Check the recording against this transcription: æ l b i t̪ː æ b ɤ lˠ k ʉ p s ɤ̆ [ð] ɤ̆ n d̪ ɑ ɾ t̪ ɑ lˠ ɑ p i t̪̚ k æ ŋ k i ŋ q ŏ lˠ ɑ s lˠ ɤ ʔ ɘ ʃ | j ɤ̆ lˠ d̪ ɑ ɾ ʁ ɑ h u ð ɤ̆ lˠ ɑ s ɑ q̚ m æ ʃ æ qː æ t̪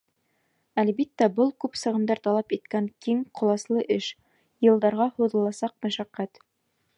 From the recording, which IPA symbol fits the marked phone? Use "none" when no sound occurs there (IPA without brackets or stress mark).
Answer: ʁ